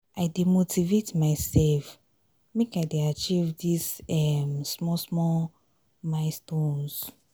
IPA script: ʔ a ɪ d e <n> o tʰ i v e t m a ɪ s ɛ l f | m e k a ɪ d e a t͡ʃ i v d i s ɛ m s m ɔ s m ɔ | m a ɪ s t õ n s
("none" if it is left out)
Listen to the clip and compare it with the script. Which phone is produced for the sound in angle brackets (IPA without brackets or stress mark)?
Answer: m